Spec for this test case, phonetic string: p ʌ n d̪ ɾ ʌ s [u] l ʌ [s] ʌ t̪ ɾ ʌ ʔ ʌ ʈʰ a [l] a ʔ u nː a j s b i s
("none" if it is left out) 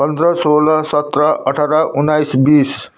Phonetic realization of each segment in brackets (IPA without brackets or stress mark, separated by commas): o, s, ɾ